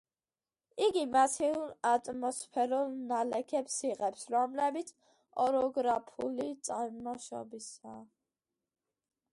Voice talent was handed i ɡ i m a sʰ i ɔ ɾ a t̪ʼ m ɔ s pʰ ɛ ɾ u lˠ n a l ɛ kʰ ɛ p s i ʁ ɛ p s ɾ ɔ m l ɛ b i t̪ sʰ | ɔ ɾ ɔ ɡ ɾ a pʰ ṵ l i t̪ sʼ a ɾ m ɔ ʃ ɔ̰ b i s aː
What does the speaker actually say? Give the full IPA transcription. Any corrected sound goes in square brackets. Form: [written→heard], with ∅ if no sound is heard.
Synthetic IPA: i ɡ i m a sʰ i [ɔ→u] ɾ a t̪ʼ m ɔ s pʰ ɛ ɾ u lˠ n a l ɛ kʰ ɛ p s i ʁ ɛ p s ɾ ɔ m l ɛ b i t̪ sʰ | ɔ ɾ ɔ ɡ ɾ a pʰ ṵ l i t̪ sʼ a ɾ m ɔ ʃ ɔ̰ b i s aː